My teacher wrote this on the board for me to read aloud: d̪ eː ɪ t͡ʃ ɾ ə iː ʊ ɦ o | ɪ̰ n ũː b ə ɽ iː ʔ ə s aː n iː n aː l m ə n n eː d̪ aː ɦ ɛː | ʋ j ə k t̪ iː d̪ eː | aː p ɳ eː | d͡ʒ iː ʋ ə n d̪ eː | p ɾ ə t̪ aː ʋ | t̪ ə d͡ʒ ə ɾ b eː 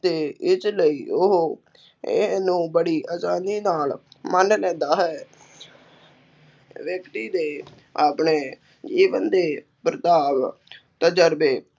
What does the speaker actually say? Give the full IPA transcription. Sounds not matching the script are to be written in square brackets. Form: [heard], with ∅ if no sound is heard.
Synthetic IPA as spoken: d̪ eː ɪ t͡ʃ [l] ə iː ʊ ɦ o | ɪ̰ n ũː b ə ɽ iː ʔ ə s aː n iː n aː l m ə n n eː d̪ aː ɦ ɛː | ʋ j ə k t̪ iː d̪ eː | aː p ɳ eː | d͡ʒ iː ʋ ə n d̪ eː | p ɾ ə t̪ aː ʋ | t̪ ə d͡ʒ ə ɾ b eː